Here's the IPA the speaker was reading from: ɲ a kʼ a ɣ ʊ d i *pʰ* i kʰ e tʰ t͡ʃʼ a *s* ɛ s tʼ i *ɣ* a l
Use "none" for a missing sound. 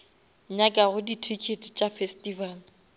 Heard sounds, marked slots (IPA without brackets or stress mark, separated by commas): tʰ, f, v